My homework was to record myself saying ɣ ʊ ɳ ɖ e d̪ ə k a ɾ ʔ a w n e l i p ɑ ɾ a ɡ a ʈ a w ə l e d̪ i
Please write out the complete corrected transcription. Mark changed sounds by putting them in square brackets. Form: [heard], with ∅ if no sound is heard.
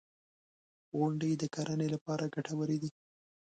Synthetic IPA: ɣ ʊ ɳ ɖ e d̪ ə k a ɾ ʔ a [∅] n e l [a] p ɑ ɾ a ɡ a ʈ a w ə [ɾ] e d̪ i